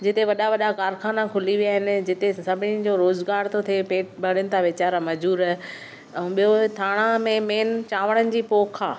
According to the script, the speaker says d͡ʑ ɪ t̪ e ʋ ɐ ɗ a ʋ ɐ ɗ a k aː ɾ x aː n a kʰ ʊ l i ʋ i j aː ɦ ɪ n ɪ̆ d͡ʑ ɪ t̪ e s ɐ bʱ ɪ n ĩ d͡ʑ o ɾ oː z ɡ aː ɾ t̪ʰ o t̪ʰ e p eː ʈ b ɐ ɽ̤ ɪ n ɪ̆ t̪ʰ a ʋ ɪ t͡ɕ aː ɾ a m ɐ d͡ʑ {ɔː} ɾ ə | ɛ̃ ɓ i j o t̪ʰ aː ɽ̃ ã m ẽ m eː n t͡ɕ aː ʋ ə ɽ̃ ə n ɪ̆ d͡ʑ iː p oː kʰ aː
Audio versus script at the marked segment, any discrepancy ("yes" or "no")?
yes